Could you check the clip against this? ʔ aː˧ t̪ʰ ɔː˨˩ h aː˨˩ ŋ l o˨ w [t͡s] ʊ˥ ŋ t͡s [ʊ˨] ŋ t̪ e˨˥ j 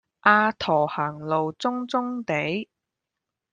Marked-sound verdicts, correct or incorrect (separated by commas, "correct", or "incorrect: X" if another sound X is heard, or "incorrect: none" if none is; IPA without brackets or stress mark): correct, incorrect: ʊ˥